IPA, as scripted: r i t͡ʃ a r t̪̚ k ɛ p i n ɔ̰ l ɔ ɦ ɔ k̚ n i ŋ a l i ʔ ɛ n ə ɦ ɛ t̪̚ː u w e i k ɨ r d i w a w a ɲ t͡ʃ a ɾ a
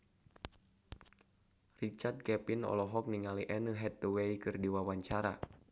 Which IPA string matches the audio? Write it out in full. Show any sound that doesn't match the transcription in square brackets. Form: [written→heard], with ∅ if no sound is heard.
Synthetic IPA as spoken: r i t͡ʃ a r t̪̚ k ɛ p i n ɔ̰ l ɔ ɦ ɔ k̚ n i ŋ a l i ʔ ɛ n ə ɦ ɛ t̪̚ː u w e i k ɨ r d i w a w a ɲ t͡ʃ a ɾ a